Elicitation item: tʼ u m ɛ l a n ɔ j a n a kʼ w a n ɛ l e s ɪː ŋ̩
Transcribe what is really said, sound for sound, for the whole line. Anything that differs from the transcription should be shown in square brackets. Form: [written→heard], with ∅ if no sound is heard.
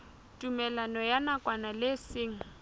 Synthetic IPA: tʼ u m ɛ l a n ɔ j a n a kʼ w a n [ɛ→a] l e s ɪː ŋ̩